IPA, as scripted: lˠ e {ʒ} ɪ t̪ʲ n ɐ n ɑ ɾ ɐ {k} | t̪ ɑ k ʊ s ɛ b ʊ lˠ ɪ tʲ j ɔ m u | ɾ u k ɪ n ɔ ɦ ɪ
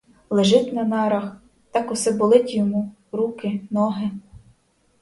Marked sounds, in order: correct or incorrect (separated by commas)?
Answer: correct, incorrect